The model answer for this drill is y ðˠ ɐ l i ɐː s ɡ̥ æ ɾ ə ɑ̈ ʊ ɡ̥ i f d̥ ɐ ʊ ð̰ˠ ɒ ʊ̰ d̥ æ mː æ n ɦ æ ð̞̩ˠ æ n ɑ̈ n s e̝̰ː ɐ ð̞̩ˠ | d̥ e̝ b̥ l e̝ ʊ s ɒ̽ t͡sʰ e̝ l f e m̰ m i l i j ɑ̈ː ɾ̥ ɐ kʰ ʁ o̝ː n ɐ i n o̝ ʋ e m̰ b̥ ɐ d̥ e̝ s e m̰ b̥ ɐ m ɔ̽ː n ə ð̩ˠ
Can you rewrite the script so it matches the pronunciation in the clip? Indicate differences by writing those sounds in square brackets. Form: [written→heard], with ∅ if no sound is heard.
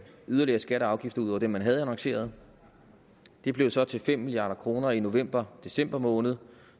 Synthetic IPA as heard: y ðˠ ɐ l i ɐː s ɡ̥ æ ɾ ə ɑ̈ ʊ ɡ̥ i f d̥ ɐ [ʊ→u] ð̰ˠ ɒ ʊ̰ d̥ [æ→e] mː æ n ɦ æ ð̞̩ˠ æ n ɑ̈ [n→ŋ] s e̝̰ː ɐ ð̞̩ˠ | d̥ e̝ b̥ l e̝ ʊ s ɒ̽ t͡sʰ e̝ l f e m̰ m i l i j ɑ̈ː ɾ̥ ɐ kʰ ʁ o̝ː n ɐ i n o̝ ʋ e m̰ b̥ ɐ d̥ e̝ s e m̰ b̥ ɐ m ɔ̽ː n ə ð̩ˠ

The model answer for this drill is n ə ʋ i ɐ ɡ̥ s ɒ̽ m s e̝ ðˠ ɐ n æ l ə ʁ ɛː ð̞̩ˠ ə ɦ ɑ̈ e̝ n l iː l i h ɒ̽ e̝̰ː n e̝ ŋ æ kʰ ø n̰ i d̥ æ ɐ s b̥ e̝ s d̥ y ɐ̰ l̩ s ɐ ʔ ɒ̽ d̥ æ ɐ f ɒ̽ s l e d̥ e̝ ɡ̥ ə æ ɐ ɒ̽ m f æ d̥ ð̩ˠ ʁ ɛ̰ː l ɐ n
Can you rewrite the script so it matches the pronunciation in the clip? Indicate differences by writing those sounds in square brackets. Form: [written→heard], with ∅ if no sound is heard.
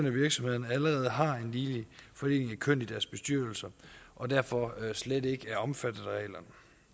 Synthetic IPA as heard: n ə ʋ i ɐ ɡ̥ s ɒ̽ m [s→h] e̝ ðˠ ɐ n æ l ə ʁ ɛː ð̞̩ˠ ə ɦ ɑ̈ e̝ n l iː l i [h→f] ɒ̽ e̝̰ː n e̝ ŋ æ kʰ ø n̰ i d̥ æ ɐ s b̥ e̝ s d̥ y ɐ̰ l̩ s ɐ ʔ ɒ̽ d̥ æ ɐ f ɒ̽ s l e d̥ e̝ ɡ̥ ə æ ɐ ɒ̽ m f æ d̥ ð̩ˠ ʁ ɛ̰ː l ɐ n

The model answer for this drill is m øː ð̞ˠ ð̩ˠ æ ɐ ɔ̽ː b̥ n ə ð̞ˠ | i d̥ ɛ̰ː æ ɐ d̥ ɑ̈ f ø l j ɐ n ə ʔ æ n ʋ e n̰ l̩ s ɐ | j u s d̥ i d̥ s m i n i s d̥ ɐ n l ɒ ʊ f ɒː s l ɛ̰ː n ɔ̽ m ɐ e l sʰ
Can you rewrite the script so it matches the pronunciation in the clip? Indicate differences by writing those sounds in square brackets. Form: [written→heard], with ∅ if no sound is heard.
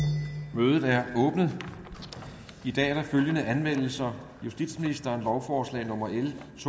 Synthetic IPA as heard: m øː ð̞ˠ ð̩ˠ æ ɐ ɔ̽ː b̥ n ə ð̞ˠ | i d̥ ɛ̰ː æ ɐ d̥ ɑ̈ f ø l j [ɐ→ə] n ə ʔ æ n ʋ e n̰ l̩ s ɐ | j u s d̥ i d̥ s m i n i s d̥ ɐ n l ɒ ʊ f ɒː s l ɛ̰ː n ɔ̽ m ɐ e l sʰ

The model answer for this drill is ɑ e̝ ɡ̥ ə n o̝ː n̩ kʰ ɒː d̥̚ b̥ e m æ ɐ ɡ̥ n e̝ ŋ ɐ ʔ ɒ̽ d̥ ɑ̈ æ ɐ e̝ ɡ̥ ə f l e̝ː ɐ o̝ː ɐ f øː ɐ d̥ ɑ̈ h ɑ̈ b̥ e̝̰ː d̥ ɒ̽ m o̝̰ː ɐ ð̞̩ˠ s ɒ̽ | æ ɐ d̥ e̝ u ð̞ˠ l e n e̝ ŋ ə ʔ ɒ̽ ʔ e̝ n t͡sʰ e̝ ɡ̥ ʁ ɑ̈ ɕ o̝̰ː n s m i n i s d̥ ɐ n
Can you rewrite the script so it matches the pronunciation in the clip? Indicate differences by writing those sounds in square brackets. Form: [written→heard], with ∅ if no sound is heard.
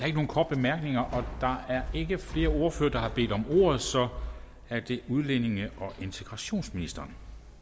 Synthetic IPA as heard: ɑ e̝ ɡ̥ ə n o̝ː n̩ kʰ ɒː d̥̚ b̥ e m æ ɐ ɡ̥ n e̝ ŋ ɐ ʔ ɒ̽ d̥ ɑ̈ æ ɐ e̝ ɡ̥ ə f l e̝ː ɐ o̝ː ɐ f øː ɐ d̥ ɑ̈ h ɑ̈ b̥ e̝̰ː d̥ ɒ̽ m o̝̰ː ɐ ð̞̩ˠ s ɒ̽ | æ ɐ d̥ e̝ u ð̞ˠ l e n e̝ ŋ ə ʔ ɒ̽ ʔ e̝ n t͡sʰ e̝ ɡ̥ ʁ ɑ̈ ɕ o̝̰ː n s m i n i s d̥ ɐ n

